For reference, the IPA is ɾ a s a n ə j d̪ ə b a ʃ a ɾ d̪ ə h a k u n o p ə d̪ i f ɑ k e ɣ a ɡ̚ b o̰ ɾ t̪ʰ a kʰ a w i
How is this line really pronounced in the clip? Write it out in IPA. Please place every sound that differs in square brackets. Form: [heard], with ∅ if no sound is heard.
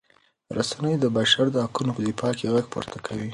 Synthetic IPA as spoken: ɾ a s a n ə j d̪ ə b a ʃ a ɾ d̪ ə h a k u n o p ə d̪ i f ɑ k e ɣ a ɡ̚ [p] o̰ ɾ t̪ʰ a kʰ a w i